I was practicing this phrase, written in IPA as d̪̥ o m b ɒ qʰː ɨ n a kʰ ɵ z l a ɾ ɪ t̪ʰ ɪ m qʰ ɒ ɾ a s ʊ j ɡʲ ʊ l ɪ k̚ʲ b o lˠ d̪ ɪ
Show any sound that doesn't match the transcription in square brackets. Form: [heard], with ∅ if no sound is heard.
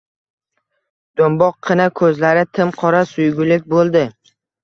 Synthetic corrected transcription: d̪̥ o m b ɒ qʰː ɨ n a kʰ ɵ z l a ɾ ɪ t̪ʰ ɪ m qʰ ɒ ɾ a s ʊ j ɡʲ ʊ l ɪ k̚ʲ b o lˠ d̪ ɪ